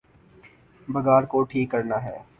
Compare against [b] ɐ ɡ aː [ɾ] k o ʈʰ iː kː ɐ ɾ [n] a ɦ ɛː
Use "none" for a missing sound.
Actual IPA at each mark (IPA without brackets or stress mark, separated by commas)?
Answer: b, ɾ, n